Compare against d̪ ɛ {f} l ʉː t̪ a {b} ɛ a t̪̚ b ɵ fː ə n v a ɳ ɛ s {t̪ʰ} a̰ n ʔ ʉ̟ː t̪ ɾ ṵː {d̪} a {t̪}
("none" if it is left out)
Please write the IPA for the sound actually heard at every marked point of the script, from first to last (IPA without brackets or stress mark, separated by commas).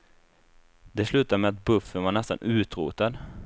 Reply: s, m, t̪, t̪, d̪